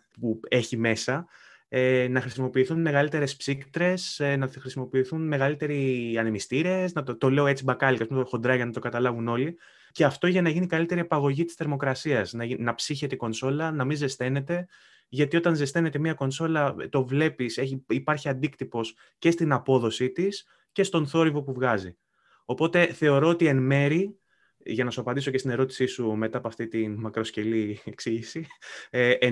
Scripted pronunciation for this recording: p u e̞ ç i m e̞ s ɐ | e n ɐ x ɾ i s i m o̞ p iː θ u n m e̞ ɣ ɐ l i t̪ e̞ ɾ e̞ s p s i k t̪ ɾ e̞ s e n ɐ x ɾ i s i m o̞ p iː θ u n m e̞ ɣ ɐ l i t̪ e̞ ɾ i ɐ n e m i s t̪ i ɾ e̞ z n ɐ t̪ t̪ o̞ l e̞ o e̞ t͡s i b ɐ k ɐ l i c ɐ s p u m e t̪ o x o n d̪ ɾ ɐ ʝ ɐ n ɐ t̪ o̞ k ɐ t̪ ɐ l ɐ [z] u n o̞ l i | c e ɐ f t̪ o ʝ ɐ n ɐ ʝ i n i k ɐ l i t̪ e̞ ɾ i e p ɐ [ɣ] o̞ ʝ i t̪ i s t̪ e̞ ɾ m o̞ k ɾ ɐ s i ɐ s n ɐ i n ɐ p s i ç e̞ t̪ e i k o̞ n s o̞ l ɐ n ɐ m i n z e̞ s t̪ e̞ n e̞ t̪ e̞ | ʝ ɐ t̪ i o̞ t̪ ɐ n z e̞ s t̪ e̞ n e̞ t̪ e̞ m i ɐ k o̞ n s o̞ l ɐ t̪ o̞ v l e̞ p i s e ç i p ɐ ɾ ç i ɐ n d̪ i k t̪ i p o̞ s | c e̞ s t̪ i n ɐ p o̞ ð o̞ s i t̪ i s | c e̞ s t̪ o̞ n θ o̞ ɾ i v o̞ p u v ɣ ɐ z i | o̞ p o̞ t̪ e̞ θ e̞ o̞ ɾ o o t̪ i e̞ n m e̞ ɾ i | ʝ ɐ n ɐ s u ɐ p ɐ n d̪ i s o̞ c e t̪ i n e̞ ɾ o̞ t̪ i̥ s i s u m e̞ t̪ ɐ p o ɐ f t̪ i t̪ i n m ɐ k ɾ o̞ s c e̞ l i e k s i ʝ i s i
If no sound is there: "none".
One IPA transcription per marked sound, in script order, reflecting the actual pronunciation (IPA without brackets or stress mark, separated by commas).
v, ɣ